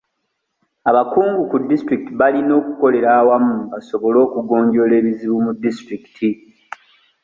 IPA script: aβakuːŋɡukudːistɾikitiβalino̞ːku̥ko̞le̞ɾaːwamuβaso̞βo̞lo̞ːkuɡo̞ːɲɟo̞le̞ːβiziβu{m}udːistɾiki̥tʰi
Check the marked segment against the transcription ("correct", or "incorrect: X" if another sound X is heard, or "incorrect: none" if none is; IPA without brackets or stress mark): correct